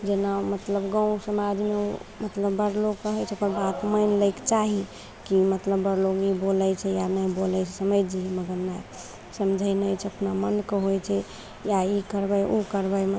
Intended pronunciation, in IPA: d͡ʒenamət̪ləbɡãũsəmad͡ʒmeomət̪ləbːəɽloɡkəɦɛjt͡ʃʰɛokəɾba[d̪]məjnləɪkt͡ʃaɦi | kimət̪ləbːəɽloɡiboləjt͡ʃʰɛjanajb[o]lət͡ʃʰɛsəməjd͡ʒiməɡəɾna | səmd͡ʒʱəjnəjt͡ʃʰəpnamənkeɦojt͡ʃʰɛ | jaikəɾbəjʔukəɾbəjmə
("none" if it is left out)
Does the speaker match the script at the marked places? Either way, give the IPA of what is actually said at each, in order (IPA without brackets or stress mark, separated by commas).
t̪, o